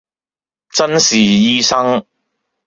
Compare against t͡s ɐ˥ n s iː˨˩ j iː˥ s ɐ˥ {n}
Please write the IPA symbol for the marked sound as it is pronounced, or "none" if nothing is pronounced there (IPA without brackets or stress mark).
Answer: ŋ